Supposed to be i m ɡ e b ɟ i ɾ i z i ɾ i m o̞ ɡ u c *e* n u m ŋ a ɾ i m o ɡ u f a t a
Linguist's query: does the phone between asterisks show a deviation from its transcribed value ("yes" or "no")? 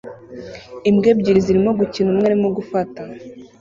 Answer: yes